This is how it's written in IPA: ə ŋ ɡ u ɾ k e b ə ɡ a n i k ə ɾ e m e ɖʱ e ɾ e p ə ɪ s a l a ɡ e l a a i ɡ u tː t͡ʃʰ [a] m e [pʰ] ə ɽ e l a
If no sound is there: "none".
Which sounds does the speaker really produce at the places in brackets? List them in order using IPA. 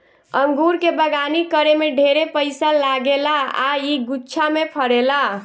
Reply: a, pʰ

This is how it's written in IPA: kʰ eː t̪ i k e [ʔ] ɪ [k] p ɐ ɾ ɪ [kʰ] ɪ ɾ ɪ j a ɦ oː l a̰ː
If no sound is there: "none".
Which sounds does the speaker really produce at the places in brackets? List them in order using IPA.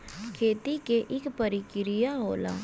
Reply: ʔ, k, k

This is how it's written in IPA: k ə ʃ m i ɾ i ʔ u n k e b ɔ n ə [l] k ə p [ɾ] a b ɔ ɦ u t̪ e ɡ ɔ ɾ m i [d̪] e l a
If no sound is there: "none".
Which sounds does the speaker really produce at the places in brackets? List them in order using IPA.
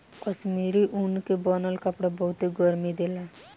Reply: l, ɽ, d̪

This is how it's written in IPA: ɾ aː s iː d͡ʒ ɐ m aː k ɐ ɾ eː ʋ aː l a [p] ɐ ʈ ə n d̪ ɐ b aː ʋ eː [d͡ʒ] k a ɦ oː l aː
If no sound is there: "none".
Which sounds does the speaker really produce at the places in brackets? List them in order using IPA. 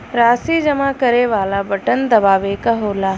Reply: b, none

